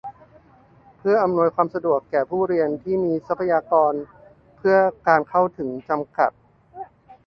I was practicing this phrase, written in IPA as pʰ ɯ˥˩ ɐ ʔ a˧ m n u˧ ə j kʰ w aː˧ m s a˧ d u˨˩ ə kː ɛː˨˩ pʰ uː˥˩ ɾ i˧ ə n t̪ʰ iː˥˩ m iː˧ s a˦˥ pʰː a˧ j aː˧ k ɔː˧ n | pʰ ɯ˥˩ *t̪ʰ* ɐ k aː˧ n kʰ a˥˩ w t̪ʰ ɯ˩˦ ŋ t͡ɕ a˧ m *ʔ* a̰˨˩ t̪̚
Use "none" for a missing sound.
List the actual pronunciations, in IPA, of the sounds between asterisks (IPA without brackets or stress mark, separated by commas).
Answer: none, k